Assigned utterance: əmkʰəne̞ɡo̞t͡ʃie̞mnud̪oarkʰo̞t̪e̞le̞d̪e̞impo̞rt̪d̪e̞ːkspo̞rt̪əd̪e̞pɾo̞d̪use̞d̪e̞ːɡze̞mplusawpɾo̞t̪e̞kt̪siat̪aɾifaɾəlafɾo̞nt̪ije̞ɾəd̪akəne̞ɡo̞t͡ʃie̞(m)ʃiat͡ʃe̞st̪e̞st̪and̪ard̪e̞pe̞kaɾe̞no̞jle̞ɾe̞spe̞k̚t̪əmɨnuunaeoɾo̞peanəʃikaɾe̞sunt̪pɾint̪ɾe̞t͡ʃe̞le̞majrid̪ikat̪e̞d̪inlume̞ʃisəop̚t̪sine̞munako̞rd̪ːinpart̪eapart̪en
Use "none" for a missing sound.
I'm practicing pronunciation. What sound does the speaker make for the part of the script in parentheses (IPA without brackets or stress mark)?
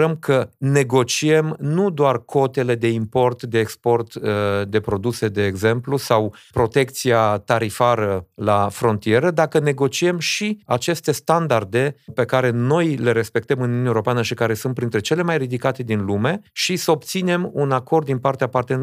m